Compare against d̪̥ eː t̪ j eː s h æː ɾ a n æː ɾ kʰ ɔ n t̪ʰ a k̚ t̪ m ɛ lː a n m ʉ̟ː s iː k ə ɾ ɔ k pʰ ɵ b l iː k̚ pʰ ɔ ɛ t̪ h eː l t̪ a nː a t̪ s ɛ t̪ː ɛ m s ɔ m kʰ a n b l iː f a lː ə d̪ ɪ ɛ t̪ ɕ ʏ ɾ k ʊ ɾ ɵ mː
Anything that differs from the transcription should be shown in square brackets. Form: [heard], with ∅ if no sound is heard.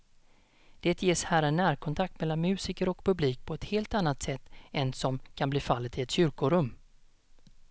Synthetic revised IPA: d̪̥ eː t̪ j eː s h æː ɾ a n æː ɾ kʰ ɔ n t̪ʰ a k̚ t̪ m ɛ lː a n m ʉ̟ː s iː k ə ɾ ɔ k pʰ ɵ b l iː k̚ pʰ ɔ ɛ t̪ h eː l t̪ a nː a t̪ s ɛ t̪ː ɛ [n] s ɔ m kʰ a n b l iː f a lː ə [t̪] ɪ ɛ t̪ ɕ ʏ ɾ k ʊ ɾ ɵ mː